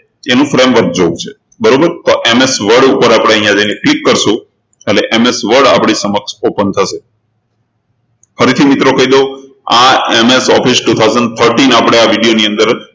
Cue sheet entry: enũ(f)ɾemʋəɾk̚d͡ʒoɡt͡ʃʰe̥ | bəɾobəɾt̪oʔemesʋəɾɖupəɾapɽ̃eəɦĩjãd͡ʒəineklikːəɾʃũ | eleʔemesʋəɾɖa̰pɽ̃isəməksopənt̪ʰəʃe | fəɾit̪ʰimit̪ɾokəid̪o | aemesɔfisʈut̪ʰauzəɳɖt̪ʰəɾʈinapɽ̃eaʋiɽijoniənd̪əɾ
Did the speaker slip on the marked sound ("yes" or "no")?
no